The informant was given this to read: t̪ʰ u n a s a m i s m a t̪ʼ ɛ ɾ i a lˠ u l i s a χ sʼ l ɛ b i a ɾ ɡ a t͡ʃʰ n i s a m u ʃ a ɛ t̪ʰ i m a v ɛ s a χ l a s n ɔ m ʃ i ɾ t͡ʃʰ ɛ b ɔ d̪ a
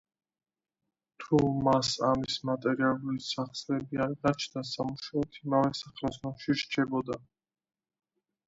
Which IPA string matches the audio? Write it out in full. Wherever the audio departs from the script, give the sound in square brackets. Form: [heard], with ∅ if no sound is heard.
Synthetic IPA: t̪ʰ u [m] a s a m i s m a t̪ʼ ɛ ɾ i a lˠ u l i s a χ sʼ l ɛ b i a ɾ ɡ a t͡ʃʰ n [a] s a m u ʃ a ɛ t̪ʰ i m a v ɛ s a χ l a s n ɔ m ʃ i ɾ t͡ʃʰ ɛ b ɔ d̪ a